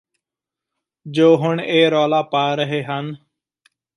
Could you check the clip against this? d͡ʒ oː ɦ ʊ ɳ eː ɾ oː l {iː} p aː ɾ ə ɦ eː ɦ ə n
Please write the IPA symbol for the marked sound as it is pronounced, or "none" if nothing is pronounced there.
aː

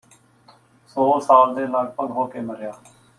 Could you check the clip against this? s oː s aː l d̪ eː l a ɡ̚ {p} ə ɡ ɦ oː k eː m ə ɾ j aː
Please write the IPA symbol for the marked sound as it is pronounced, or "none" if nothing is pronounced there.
p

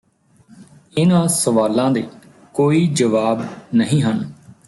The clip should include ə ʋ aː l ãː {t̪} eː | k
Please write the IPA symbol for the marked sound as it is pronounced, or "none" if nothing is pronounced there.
d̪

